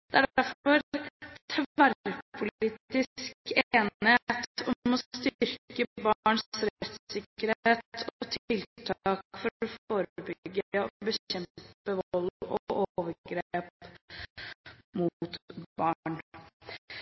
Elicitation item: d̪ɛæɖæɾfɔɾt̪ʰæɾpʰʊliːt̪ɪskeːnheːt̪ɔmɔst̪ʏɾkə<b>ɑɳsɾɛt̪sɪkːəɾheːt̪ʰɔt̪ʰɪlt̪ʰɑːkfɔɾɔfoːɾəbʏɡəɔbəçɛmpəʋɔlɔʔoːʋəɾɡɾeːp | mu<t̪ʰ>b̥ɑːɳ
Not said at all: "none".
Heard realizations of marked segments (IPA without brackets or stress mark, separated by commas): b, t̪